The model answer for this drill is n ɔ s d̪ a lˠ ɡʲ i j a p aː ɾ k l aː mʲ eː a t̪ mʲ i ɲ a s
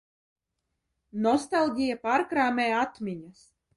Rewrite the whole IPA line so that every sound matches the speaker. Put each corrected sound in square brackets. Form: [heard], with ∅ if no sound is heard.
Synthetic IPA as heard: n ɔ s [t̪] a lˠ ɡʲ i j a p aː ɾ k [ɾ] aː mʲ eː a t̪ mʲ i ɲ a s